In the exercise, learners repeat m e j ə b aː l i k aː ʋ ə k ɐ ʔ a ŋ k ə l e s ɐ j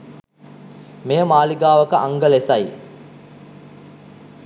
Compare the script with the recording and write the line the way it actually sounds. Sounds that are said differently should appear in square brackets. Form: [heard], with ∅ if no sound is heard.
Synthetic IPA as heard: m e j ə [m] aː l i [ɡ] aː ʋ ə k [ə] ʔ a ŋ [ɡ] ə l e s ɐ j